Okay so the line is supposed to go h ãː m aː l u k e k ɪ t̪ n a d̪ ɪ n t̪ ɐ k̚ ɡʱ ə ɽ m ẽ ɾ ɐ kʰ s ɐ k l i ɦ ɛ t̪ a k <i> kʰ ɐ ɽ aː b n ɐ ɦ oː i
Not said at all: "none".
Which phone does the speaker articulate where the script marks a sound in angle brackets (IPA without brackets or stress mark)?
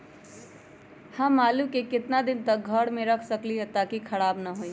i